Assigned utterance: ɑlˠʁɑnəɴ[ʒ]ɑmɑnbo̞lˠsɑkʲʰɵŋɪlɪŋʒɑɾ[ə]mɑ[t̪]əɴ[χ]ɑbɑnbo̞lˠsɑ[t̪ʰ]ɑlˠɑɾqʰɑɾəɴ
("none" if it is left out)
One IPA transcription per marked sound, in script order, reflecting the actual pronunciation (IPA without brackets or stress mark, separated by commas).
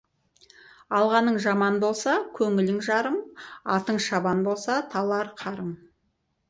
ʒ, ə, t̪, ʃ, t̪ʰ